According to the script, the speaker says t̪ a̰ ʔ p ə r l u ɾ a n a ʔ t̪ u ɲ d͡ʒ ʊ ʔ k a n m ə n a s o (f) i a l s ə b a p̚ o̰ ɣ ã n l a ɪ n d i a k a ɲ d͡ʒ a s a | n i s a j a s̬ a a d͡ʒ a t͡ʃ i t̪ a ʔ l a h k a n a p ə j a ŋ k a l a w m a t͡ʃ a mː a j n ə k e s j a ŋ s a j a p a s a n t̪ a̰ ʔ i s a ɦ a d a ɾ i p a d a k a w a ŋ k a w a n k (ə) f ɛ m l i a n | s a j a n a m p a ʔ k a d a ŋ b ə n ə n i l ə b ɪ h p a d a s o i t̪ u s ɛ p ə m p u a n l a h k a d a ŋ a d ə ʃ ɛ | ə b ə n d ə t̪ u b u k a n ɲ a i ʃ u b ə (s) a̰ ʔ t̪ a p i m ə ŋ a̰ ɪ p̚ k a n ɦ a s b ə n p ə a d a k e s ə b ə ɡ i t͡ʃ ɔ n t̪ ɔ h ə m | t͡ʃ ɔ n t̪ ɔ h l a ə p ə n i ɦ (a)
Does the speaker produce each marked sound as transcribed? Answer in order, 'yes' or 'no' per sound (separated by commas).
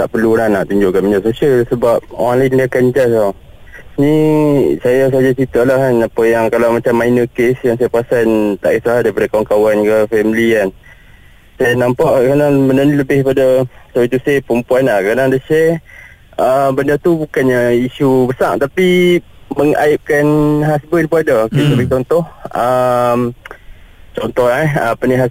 no, yes, yes, yes